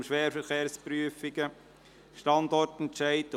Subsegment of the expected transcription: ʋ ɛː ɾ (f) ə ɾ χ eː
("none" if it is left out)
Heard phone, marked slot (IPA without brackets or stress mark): f